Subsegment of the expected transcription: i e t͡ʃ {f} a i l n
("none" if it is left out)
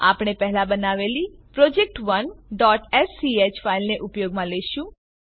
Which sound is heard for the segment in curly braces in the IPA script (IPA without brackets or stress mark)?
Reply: f